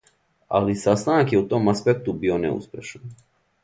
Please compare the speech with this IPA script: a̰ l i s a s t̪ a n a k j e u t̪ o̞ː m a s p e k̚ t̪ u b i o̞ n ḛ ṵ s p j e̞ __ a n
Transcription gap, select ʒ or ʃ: ʃ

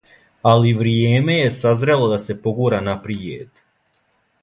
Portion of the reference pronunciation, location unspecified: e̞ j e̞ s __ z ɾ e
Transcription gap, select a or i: a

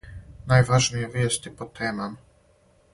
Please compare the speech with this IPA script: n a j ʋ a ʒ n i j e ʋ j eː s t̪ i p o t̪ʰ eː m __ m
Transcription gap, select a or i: a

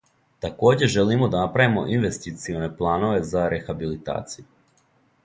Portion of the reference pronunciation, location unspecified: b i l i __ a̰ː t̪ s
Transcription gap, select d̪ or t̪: t̪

